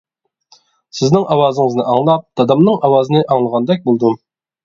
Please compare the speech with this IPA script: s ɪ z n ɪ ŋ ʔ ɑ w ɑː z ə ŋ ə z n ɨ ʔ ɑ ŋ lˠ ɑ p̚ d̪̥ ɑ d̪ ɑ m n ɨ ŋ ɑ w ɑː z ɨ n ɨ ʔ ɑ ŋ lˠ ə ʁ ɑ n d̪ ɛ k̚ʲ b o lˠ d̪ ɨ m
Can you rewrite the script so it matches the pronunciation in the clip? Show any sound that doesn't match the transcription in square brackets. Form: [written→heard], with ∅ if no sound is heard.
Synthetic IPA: s ɪ z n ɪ ŋ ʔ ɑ w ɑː z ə ŋ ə z n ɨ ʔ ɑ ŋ lˠ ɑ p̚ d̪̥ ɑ d̪ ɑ m n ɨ ŋ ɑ w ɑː z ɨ n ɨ ʔ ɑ ŋ lˠ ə ʁ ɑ n d̪ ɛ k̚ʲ b o lˠ d̪ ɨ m

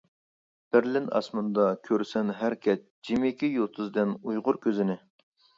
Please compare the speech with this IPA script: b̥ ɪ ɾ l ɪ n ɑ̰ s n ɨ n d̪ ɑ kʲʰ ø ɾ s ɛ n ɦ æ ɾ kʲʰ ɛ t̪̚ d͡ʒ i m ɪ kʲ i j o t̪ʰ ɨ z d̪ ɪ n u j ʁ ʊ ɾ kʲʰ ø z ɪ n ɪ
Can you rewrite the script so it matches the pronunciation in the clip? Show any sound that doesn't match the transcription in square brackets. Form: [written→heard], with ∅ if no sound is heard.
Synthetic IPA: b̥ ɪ ɾ l ɪ n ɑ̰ s [n→m] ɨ n d̪ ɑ kʲʰ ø ɾ s ɛ n ɦ æ ɾ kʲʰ ɛ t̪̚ d͡ʒ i m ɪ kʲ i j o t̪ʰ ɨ z d̪ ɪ n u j ʁ ʊ ɾ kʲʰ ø z ɪ n ɪ

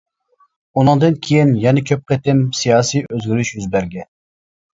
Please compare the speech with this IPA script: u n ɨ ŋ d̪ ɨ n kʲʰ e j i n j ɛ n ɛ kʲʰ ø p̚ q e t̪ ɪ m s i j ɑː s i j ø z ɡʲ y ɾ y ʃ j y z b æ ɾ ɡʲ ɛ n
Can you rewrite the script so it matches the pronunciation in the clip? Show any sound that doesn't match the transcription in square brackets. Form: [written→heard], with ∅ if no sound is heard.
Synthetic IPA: u n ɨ ŋ d̪ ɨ n kʲʰ e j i n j ɛ n ɛ kʲʰ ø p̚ q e t̪ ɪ m s i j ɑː s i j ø z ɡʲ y ɾ y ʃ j y z b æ ɾ ɡʲ ɛ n

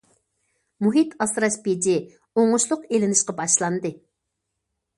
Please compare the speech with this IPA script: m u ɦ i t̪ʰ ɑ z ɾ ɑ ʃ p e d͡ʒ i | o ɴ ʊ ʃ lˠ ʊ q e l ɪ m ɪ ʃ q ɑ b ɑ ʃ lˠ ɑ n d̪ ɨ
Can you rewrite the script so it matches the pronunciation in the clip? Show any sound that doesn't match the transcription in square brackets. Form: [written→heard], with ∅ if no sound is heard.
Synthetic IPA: m u ɦ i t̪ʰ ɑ [z→s] ɾ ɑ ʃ p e d͡ʒ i | o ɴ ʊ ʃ lˠ ʊ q e l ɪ [m→n] ɪ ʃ q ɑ b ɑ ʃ lˠ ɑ n d̪ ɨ

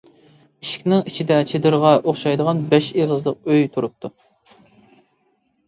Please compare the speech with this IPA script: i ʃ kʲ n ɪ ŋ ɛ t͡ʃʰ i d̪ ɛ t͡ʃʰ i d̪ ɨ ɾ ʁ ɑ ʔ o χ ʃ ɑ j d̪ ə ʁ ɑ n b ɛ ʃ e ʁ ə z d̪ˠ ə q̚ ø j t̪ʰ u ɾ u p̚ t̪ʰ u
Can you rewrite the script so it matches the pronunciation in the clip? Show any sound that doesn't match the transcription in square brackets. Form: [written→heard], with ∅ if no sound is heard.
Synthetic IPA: i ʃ kʲ n ɪ ŋ [ɛ→i] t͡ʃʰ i d̪ ɛ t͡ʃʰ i d̪ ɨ ɾ ʁ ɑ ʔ o χ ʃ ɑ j d̪ ə ʁ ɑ n b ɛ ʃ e ʁ ə z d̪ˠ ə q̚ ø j t̪ʰ u ɾ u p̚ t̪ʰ u

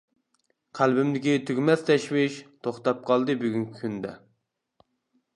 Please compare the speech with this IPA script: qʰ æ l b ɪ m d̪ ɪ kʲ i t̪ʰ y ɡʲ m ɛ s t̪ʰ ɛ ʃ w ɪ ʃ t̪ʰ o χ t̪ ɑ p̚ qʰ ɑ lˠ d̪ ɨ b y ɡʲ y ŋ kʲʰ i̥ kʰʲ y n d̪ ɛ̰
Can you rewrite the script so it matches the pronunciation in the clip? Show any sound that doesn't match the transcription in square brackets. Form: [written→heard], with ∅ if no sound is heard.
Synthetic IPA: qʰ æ l b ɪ m d̪ ɪ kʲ i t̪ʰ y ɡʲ m ɛ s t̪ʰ ɛ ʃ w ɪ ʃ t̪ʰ o χ t̪ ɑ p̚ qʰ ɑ lˠ d̪ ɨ b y ɡʲ y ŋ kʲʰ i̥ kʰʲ y n d̪ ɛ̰

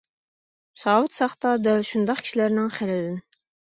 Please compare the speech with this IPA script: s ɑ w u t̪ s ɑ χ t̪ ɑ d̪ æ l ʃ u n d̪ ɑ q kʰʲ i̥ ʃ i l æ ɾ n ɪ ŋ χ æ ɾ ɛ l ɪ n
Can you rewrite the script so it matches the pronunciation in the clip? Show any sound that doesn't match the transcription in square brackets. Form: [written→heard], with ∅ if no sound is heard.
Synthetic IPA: s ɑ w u t̪ s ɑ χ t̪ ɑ d̪ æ l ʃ u n d̪ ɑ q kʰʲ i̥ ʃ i l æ ɾ n ɪ ŋ χ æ [ɾ→l] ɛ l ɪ n

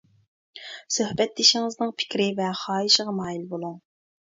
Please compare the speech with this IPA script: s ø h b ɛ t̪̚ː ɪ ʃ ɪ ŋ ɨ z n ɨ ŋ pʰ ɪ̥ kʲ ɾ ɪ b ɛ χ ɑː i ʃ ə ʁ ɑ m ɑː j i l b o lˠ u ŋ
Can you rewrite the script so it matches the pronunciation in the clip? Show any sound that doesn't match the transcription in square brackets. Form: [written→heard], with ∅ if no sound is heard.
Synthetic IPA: s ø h b ɛ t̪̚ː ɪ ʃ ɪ ŋ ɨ z n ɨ ŋ pʰ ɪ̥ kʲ ɾ ɪ [b→v] ɛ χ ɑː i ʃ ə ʁ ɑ m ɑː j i l b o lˠ u ŋ

